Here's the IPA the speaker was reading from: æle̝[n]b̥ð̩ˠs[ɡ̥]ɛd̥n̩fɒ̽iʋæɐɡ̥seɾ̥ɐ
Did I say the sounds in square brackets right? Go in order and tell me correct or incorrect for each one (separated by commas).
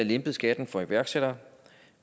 incorrect, correct